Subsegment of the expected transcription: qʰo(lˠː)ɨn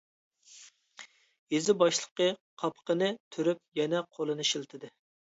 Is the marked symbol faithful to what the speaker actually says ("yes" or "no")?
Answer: no